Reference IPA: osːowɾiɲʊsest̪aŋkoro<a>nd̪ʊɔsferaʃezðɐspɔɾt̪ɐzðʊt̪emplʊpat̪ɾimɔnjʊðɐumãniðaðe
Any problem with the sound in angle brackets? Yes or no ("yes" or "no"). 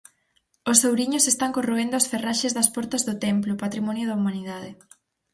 yes